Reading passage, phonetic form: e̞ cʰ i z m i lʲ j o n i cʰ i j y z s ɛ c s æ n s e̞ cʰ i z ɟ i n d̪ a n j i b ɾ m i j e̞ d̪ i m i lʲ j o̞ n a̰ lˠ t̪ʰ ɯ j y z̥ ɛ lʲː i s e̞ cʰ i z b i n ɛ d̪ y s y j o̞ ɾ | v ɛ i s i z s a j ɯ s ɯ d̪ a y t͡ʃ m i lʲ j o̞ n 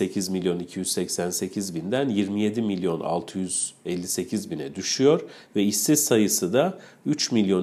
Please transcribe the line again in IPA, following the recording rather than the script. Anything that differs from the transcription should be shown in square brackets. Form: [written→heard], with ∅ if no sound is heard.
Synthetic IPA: e̞ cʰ i z m i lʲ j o n i cʰ i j y z s ɛ c s æ n s e̞ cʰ i z [ɟ→b] i n d̪ [a→æ] n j i [b→∅] ɾ m i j e̞ d̪ i m i lʲ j o̞ n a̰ lˠ t̪ʰ ɯ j y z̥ ɛ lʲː i s e̞ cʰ i z b i n ɛ d̪ y [s→ʃ] y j o̞ ɾ | v ɛ i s i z s a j ɯ s ɯ d̪ a y t͡ʃ m i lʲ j o̞ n